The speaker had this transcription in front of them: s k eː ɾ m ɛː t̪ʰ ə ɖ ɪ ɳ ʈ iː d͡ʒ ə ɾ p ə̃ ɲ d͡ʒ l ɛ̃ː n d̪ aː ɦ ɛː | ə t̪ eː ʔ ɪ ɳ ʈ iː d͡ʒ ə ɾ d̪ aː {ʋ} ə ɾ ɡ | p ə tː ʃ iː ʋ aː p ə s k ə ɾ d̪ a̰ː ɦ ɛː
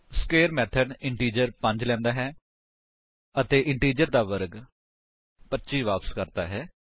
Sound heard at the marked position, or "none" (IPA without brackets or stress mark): ʋ